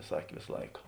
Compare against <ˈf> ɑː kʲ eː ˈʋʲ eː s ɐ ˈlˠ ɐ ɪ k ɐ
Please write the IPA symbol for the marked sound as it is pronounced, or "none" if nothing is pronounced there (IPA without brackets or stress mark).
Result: s